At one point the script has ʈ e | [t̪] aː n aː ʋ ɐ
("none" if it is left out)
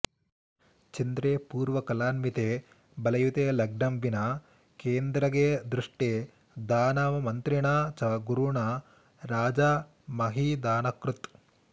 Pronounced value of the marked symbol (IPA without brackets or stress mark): d̪